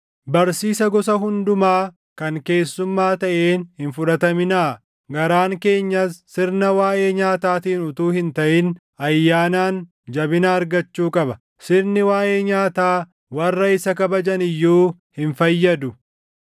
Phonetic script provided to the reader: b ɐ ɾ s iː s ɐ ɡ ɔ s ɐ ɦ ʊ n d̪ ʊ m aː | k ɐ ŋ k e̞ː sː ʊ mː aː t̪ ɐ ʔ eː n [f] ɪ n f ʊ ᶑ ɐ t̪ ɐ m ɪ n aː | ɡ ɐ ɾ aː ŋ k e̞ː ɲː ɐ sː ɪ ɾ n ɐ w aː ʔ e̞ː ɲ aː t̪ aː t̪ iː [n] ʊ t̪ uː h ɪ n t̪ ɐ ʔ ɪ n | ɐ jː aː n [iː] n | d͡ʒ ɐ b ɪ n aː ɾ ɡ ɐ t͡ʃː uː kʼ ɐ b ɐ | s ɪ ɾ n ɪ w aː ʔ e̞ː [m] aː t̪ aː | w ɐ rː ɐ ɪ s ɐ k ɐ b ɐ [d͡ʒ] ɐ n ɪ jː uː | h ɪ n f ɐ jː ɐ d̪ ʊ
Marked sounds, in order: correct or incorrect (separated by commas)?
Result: incorrect, correct, incorrect, incorrect, correct